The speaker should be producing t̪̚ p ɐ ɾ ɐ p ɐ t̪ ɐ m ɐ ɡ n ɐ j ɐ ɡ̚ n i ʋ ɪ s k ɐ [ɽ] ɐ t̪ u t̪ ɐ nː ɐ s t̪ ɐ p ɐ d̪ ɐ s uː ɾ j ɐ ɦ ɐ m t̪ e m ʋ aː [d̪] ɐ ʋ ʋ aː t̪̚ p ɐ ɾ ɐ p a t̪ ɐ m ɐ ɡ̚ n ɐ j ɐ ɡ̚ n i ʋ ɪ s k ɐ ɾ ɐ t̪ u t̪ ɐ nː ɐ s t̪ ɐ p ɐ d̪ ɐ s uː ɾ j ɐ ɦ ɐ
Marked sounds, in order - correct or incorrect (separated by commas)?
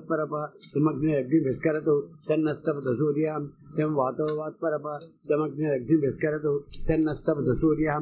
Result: incorrect, incorrect